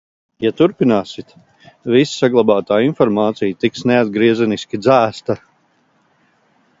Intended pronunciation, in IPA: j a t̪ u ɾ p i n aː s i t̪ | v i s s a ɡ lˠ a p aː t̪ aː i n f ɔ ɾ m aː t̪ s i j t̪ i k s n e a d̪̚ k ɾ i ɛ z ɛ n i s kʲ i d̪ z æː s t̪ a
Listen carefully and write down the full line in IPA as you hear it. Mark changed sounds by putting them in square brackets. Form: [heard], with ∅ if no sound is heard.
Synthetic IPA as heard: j a t̪ u ɾ p i n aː s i t̪ | v i s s a ɡ lˠ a [b] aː t̪ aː i n f ɔ ɾ m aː t̪ s i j t̪ i k s n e a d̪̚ [ɡ] ɾ i ɛ z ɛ n i s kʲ i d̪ z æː s t̪ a